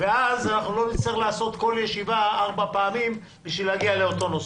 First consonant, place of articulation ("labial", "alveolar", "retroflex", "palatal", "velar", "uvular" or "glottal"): labial